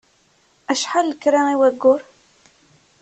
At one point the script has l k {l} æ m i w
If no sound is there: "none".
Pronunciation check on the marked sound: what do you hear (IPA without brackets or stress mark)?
ɾ